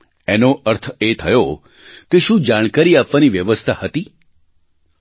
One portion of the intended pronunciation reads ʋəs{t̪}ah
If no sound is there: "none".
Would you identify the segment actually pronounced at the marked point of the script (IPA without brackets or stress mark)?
t̪ʰ